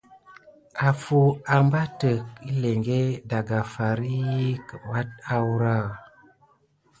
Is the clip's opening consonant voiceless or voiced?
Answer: voiceless